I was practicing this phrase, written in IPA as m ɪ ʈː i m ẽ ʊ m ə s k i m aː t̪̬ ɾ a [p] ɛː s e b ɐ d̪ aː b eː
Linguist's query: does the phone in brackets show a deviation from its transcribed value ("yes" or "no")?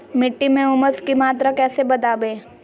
yes